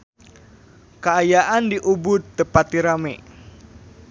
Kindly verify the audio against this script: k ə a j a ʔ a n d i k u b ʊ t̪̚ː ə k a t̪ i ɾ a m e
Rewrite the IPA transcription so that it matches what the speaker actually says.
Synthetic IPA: k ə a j a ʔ a n d i ʔ u b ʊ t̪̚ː ə p a t̪ i ɾ a m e